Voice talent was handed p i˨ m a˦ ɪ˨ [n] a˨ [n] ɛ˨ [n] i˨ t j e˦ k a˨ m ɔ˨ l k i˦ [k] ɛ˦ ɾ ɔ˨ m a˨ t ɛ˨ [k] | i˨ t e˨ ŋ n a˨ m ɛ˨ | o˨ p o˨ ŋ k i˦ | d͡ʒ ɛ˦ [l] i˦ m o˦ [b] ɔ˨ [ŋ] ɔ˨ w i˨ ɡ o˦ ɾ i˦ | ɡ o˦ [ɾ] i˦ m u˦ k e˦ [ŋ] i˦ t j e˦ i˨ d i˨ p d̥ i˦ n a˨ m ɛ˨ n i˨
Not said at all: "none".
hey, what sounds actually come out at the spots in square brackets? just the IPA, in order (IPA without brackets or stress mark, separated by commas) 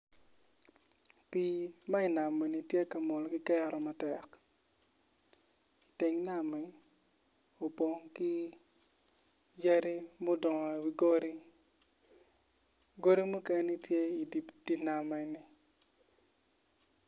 n, m, n, k, k, ɾ, d, ŋ, ɾ, n